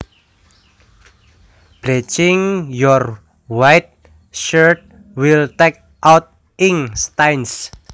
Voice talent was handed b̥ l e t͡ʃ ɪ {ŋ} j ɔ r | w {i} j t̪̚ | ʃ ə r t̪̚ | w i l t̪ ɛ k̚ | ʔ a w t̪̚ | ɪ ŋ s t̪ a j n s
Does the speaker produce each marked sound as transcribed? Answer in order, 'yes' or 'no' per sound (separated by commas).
yes, no